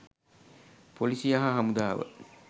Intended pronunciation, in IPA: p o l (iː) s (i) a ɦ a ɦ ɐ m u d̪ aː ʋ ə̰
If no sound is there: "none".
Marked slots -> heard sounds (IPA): i, i

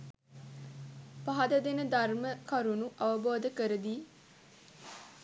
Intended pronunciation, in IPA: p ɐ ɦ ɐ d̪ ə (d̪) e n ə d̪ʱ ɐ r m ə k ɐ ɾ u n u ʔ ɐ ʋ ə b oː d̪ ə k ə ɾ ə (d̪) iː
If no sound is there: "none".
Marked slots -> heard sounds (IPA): d̪, d̪

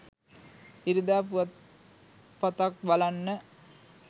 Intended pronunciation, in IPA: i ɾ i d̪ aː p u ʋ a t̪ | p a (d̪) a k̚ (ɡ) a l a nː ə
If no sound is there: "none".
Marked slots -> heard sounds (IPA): t̪, b

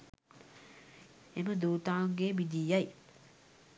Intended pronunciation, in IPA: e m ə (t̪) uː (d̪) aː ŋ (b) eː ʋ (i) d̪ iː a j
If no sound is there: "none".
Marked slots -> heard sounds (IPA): d̪, t̪, ɡ, i

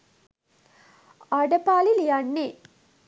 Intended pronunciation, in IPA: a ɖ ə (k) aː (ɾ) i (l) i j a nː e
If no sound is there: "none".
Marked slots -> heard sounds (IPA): p, l, l

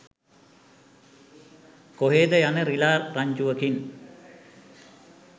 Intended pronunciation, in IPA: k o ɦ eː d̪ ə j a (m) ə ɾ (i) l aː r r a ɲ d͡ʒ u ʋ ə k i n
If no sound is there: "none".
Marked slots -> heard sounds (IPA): n, i

